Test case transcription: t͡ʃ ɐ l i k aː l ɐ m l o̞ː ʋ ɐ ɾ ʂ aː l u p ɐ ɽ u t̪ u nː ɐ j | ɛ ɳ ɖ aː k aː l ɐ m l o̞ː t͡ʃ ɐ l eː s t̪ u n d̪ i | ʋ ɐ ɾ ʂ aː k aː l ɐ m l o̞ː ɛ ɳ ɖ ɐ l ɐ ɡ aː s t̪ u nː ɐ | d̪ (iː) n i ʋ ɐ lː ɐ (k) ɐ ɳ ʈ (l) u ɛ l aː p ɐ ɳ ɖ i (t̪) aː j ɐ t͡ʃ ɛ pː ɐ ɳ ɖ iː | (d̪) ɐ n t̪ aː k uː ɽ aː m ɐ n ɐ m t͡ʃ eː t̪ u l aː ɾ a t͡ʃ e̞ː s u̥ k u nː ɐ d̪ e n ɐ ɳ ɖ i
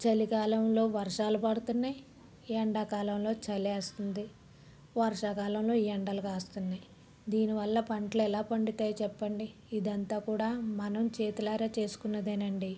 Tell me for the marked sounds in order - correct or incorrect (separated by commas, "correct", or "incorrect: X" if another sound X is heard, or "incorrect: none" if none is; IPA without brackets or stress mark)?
correct, incorrect: p, correct, correct, correct